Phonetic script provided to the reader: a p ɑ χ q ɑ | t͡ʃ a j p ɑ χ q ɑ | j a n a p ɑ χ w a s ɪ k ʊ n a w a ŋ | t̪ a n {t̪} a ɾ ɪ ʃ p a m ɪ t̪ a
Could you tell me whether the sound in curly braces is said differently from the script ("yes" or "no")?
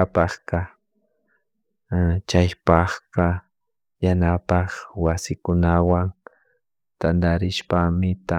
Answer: yes